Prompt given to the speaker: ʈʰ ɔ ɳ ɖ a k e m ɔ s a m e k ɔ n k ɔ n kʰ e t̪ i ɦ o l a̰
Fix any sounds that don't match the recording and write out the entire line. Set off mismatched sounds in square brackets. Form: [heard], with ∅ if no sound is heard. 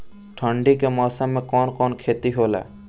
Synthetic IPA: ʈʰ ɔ ɳ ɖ [i] k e m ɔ s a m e k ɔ n k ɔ n kʰ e t̪ i ɦ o l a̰